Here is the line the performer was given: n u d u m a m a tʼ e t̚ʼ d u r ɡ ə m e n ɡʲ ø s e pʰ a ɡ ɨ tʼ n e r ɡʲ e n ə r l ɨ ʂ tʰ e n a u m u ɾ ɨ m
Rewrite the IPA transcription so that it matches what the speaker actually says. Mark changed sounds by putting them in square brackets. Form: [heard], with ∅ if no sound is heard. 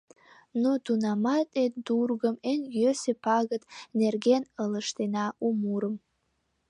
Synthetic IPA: n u d u [n] a m a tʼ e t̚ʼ d u r ɡ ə m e n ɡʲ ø s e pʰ a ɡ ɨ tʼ n e r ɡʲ e n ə [∅] l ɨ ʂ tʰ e n a u m u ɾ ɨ m